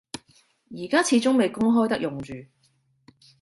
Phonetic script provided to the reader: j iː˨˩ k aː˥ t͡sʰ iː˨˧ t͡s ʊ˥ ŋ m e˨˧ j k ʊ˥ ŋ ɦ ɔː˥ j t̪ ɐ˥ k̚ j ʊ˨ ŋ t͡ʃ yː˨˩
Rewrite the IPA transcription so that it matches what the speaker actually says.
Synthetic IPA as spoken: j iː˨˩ k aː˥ t͡sʰ iː˨˧ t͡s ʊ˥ ŋ m e˨˧ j k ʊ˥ ŋ ɦ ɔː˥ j t̪ ɐ˥ k̚ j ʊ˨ ŋ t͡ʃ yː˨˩